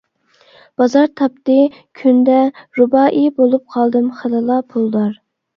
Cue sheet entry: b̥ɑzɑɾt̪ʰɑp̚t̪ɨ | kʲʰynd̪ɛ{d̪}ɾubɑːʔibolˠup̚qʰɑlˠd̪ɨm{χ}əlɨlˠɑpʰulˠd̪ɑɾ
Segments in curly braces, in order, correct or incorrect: incorrect: none, correct

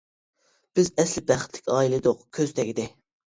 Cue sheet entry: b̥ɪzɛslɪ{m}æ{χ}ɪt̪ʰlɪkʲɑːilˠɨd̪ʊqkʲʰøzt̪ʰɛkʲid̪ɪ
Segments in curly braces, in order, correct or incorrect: incorrect: b, correct

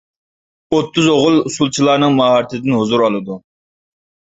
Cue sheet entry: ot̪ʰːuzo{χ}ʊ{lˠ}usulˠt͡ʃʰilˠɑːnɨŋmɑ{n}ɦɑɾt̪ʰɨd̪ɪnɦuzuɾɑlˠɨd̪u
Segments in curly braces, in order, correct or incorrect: incorrect: ʁ, correct, incorrect: none

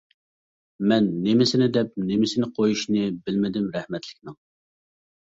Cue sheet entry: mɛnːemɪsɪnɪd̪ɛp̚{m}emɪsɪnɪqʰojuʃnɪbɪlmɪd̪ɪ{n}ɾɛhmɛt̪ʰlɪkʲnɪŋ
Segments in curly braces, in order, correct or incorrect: incorrect: n, incorrect: m

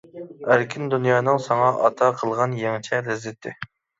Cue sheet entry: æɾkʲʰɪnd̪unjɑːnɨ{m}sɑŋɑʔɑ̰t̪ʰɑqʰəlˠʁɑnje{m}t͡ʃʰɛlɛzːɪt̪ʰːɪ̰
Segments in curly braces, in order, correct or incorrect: incorrect: ŋ, incorrect: ŋ

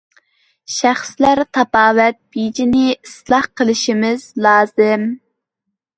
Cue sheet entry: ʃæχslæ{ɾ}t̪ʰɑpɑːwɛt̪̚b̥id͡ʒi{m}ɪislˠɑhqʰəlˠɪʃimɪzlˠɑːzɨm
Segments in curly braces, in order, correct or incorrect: correct, incorrect: n

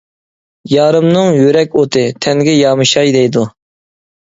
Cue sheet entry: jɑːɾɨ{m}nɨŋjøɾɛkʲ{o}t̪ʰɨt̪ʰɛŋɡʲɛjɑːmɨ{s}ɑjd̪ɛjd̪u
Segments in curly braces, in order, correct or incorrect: correct, correct, incorrect: ʃ

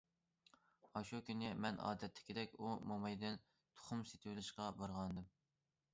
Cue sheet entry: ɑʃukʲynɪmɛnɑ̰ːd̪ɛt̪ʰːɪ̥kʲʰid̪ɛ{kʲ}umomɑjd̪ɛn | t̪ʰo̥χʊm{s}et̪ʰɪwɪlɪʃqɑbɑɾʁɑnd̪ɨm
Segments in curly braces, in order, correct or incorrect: correct, correct

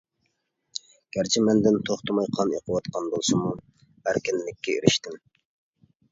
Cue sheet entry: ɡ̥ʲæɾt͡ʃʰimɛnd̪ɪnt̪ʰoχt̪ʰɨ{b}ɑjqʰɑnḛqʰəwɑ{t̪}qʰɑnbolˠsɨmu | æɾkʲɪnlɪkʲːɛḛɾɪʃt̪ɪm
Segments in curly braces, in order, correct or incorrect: incorrect: m, correct

